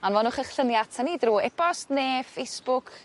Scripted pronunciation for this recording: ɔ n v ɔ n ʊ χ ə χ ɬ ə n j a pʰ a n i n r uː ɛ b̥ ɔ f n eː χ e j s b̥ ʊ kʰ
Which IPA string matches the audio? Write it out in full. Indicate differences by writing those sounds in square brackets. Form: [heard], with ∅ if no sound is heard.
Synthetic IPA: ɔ n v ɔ n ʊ χ ə χ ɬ ə n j a [tʰ] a n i [d] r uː ɛ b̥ ɔ [s] n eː [f] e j s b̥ ʊ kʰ